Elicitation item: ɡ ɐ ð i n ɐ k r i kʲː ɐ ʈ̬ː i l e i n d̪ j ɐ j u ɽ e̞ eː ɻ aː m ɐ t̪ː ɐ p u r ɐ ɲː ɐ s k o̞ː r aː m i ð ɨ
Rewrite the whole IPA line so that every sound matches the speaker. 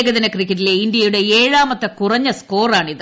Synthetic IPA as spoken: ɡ ɐ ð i n ɐ k r i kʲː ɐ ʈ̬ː i l e i n d̪ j ɐ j u ɽ e̞ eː ɻ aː m ɐ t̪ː ɐ k u r ɐ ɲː ɐ s k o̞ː r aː ɳ i ð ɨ